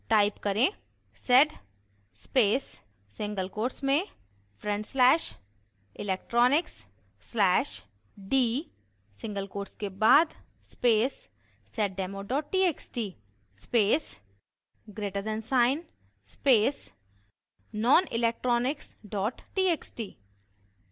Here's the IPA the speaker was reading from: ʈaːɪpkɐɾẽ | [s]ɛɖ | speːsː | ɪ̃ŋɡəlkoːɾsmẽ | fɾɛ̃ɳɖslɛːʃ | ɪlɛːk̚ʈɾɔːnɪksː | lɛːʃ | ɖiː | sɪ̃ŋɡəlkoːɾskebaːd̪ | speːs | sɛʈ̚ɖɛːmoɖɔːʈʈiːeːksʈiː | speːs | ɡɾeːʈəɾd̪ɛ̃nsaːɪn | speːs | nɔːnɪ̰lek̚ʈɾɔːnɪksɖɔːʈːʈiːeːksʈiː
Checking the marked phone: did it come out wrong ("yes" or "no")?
no